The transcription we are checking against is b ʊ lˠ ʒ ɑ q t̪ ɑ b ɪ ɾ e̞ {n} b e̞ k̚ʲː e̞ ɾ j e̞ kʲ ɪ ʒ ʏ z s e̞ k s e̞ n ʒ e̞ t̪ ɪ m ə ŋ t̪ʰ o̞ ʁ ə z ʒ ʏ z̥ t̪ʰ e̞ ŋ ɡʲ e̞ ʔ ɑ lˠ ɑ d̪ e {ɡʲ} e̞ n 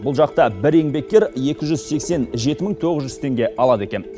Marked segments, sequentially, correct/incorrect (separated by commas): incorrect, incorrect